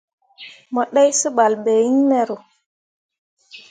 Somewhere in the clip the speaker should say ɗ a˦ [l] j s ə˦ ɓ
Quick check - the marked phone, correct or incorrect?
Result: incorrect